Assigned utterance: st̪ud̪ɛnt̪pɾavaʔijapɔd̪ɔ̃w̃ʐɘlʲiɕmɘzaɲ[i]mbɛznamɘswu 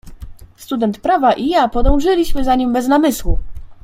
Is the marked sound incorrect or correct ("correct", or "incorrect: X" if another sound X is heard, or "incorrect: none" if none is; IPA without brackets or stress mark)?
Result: correct